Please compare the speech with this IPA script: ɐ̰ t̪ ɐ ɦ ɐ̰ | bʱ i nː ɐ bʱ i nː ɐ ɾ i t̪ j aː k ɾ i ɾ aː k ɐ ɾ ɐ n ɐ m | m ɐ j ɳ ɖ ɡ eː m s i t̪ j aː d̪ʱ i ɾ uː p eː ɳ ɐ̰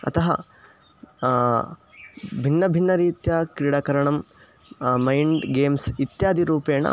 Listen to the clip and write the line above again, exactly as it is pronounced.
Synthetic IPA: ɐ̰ t̪ ɐ ɦ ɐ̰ | bʱ i nː ɐ bʱ i nː ɐ ɾ iː t̪ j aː k ɾ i ɽ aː k ɐ ɾ ɐ ɳ ɐ m | m ɐ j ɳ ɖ ɡ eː m s i t̪ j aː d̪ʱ i ɾ uː p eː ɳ ɐ̰

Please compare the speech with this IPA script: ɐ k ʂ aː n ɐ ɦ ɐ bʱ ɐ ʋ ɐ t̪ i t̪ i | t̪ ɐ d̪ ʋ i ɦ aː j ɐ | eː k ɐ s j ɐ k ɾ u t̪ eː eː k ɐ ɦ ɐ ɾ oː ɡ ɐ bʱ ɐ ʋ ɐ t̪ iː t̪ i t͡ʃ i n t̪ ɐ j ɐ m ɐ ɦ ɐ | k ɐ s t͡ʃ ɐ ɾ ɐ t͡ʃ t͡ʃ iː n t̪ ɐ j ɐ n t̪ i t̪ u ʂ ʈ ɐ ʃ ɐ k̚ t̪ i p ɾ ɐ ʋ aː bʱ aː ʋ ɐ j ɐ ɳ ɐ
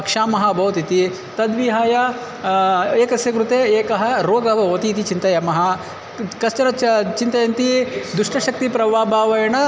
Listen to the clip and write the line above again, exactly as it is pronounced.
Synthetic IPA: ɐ k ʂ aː m ɐ ɦ ɐ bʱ ɐ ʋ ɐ t̪ i t̪ i | t̪ ɐ d̪ ʋ i ɦ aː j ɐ | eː k ɐ s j ɐ k ɾ u t̪ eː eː k ɐ ɦ ɐ ɾ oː ɡ ɐ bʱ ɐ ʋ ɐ t̪ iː t̪ i t͡ʃ i n t̪ ɐ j ɐ m ɐ ɦ ɐ | k ɐ s t͡ʃ ɐ ɾ ɐ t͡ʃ t͡ʃ i n t̪ ɐ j ɐ n t̪ i d̪ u ʂ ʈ ɐ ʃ ɐ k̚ t̪ i p ɾ ɐ ʋ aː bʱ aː ʋ ɐ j ɐ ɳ ɐ

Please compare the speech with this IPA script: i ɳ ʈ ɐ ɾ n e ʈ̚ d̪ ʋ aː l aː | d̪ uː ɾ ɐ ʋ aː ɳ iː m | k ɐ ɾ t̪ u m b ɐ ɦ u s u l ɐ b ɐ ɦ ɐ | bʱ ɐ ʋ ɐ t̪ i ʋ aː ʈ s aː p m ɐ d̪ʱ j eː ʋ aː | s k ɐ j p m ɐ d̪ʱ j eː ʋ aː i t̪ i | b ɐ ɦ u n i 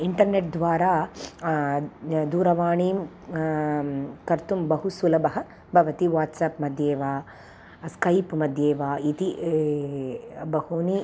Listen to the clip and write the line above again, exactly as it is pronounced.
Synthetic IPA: i ɳ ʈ ɐ ɾ n e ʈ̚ d̪ ʋ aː ɾ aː | d̪ uː ɾ ɐ ʋ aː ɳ iː m | k ɐ ɾ t̪ u m b ɐ ɦ u s u l ɐ b ɐ ɦ ɐ | bʱ ɐ ʋ ɐ t̪ i ʋ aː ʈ s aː p m ɐ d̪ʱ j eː ʋ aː | s k ɐ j p m ɐ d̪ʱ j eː ʋ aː i t̪ i | b ɐ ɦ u n i

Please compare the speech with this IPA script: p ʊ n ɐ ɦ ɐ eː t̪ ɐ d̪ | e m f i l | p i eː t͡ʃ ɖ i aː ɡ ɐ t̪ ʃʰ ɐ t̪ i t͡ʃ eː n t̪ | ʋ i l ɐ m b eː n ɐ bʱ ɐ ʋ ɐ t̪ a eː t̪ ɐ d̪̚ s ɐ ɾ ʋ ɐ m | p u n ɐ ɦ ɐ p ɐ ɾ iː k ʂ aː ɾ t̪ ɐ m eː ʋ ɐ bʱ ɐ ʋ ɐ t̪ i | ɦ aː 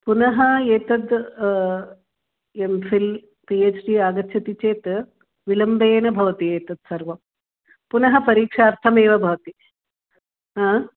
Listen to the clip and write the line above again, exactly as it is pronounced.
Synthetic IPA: p u n ɐ ɦ ɐ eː t̪ ɐ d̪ | e m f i l | p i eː t͡ʃ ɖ i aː ɡ ɐ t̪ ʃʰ ɐ t̪ i t͡ʃ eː t̪ | ʋ i l ɐ m b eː n ɐ bʱ ɐ ʋ ɐ t̪ i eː t̪ ɐ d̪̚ s ɐ ɾ ʋ ɐ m | p u n ɐ ɦ ɐ p ɐ ɾ iː k ʂ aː ɾ t̪ʰ ɐ m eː ʋ ɐ bʱ ɐ ʋ ɐ t̪ i | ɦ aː

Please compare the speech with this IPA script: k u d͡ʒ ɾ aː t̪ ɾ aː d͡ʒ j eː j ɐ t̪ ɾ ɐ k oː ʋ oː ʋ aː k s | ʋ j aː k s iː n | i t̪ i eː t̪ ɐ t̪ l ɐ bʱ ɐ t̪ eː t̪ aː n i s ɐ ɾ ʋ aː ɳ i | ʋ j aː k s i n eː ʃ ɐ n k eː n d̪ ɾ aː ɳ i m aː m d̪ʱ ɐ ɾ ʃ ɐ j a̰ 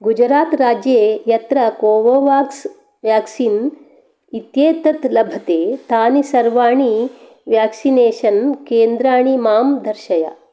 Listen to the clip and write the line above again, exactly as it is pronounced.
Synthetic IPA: ɡ u d͡ʒ ɾ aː t̪ ɾ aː d͡ʒ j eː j ɐ t̪ ɾ ɐ k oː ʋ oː ʋ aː k s | ʋ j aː k s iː n | i t̪ j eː t̪ ɐ t̪ l ɐ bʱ ɐ t̪ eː t̪ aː n i s ɐ ɾ ʋ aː ɳ i | ʋ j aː k s i n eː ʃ ɐ n k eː n d̪ ɾ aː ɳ i m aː m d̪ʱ ɐ ɾ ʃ ɐ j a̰

